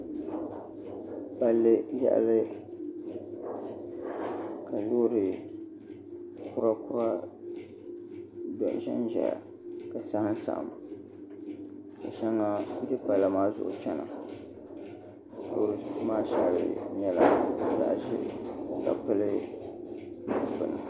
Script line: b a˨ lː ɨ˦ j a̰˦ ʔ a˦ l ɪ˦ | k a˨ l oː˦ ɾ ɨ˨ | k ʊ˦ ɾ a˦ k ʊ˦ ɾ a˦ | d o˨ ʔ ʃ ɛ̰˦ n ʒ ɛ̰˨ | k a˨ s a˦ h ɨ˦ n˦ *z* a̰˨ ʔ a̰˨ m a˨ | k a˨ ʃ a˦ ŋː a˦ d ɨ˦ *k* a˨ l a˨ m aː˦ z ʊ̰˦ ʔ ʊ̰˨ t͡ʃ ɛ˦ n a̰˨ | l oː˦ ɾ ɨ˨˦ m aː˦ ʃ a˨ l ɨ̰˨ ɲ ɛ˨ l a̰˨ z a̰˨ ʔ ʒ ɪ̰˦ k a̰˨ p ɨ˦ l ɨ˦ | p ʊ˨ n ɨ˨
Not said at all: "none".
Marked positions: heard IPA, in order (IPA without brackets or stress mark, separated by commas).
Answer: s, p